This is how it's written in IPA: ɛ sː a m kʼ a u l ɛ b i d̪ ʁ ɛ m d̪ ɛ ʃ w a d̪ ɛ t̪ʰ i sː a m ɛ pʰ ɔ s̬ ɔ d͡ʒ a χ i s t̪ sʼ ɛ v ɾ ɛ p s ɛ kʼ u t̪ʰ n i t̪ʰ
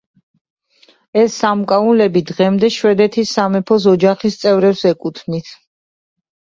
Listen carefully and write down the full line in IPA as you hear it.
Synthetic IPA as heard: ɛ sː a m kʼ a u l ɛ b i d̪ ʁ ɛ m d̪ ɛ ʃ w ɛ d̪ ɛ t̪ʰ i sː a m ɛ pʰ ɔ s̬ ɔ d͡ʒ a χ i s t̪ sʼ ɛ v ɾ ɛ p s ɛ kʼ u t̪ʰ n i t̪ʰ